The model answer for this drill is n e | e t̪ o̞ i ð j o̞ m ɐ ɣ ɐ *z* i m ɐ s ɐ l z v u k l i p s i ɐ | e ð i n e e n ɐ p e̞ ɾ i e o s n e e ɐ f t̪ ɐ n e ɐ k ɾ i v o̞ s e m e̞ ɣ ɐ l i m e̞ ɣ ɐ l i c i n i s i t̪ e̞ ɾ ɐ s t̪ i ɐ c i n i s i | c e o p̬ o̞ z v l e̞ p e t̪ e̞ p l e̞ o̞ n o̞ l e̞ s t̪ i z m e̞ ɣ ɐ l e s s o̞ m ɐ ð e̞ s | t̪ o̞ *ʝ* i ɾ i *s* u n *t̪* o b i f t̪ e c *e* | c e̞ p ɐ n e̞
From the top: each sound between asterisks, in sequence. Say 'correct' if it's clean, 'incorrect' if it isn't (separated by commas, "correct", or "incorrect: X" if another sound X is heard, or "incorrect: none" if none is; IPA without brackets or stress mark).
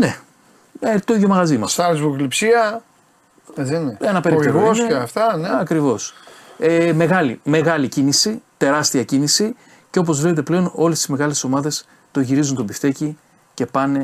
correct, correct, incorrect: z, correct, incorrect: i